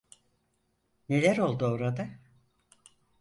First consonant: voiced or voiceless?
voiced